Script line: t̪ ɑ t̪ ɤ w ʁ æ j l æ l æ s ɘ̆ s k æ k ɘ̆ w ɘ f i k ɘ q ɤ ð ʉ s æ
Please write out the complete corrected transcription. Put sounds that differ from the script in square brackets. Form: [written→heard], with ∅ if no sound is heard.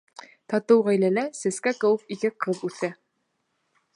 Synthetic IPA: t̪ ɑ t̪ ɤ w ʁ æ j l æ l æ s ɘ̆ s k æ k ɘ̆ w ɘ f i k ɘ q ɤ ð ʉ [s→θ] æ